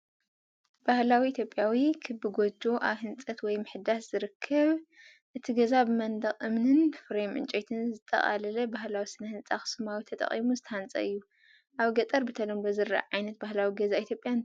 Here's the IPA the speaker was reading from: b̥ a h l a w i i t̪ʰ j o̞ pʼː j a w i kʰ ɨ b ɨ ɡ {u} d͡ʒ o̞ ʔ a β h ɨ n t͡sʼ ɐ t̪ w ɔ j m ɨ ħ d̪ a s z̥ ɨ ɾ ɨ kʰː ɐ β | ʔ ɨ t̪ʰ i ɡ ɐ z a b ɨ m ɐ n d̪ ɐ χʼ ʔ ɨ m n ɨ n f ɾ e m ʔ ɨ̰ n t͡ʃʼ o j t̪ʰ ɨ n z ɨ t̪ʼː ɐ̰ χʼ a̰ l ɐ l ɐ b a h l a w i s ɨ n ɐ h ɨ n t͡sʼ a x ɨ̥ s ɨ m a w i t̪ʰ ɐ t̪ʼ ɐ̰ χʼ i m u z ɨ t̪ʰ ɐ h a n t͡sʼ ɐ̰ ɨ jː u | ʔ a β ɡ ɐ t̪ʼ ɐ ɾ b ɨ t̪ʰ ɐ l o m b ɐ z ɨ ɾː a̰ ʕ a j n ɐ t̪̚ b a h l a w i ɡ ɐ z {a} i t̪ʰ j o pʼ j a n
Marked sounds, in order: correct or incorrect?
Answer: incorrect, correct

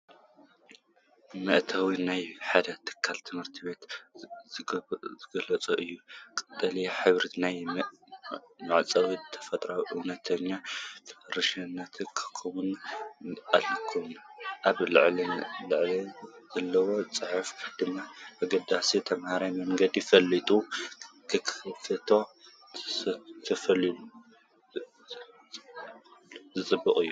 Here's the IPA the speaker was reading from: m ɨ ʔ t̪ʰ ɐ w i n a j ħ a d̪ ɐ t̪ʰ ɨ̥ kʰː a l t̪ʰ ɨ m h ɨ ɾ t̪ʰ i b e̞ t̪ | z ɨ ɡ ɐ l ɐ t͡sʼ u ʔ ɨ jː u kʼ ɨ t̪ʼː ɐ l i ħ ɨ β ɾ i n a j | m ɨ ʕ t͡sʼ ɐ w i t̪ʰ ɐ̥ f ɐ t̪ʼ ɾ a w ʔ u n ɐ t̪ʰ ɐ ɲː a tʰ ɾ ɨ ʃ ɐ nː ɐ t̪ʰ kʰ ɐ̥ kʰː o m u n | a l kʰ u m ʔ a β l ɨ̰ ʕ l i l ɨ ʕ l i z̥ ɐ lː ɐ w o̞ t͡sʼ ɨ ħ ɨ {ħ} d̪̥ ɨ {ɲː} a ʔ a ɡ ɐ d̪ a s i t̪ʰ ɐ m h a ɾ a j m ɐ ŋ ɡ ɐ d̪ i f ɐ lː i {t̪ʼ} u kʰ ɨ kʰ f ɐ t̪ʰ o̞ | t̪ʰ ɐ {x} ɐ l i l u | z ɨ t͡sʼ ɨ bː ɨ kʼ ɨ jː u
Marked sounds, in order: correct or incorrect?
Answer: incorrect, incorrect, correct, incorrect

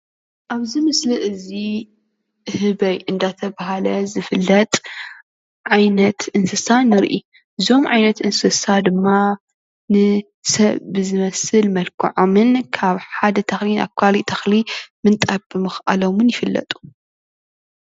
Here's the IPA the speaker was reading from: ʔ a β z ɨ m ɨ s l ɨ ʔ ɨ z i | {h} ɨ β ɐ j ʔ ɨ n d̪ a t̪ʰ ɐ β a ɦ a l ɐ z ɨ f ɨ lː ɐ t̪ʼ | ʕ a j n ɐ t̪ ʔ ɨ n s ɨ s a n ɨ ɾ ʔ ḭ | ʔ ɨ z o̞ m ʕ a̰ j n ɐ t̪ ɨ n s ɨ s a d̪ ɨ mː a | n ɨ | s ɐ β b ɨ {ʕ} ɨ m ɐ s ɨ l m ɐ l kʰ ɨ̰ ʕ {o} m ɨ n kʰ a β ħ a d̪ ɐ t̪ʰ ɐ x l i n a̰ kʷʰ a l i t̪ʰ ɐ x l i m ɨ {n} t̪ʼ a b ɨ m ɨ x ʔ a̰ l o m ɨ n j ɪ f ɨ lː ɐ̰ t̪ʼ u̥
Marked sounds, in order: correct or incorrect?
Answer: correct, incorrect, correct, correct

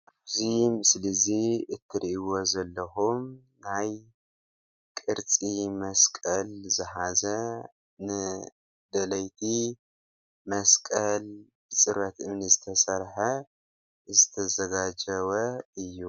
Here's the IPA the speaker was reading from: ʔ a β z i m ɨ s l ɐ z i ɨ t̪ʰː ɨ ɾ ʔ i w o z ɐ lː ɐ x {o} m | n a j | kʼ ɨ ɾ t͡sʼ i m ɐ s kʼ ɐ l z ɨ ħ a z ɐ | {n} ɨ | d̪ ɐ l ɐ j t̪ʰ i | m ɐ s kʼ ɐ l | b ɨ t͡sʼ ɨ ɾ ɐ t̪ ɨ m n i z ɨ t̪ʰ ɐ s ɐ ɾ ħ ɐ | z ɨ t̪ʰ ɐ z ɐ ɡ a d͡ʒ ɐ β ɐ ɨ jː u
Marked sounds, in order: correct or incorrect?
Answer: incorrect, correct

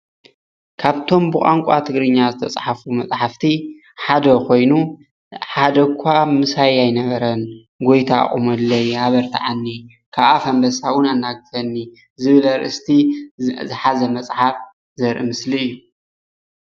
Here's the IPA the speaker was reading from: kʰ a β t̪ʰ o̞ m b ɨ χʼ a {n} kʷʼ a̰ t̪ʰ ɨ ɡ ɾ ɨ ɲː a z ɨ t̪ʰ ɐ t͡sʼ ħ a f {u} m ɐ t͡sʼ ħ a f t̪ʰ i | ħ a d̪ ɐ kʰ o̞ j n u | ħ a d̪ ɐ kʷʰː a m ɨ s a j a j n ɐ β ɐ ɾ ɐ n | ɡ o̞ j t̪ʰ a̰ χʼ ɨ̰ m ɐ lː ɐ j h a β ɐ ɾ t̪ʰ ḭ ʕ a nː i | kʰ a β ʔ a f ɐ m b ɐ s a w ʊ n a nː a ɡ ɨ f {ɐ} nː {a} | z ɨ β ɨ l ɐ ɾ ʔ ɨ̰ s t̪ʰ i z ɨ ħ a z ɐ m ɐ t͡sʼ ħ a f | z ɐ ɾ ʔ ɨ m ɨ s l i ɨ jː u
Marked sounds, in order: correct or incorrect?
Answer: incorrect, correct, correct, incorrect

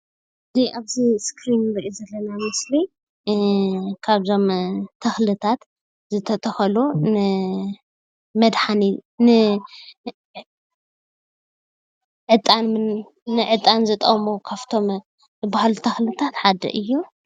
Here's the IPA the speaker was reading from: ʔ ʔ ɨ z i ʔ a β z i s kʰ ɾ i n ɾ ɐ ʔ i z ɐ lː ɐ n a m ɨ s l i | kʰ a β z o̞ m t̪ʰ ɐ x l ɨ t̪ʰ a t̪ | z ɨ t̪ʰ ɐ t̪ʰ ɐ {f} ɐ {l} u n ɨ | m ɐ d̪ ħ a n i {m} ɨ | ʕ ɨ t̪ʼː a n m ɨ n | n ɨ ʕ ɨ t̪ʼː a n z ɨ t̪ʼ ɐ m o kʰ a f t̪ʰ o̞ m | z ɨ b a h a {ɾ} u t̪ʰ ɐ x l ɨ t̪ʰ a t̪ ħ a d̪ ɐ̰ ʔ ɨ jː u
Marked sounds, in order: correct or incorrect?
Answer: incorrect, correct, incorrect, incorrect

